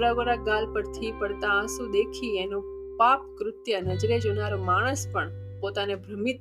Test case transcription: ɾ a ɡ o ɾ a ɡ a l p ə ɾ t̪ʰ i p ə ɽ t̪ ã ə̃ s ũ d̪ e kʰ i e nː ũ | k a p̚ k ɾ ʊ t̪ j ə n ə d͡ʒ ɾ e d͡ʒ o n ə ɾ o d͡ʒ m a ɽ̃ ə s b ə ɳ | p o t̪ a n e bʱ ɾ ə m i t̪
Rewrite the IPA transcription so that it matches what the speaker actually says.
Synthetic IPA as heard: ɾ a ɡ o ɾ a ɡ a l p ə ɾ t̪ʰ i p ə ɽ t̪ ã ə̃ s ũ d̪ e kʰ i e n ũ | p a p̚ k ɾ ʊ t̪ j ə n ə d͡ʒ ɾ e d͡ʒ o n a ɾ o m a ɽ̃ ə s p ə ɳ | p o t̪ a n e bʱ ɾ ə m i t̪